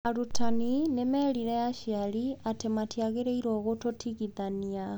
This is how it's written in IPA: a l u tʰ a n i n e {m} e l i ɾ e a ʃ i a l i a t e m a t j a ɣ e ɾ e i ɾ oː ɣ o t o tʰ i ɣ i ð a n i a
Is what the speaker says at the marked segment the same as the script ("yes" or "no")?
yes